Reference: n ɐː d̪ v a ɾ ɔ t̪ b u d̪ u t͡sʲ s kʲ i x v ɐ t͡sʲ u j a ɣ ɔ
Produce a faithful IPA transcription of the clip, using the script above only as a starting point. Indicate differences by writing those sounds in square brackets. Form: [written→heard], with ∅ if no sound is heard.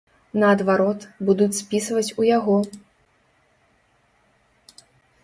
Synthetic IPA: n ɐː d̪ v a ɾ ɔ t̪ b u d̪ u t͡sʲ s [kʲ→pʲ] i [x→s] v ɐ t͡sʲ u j a ɣ ɔ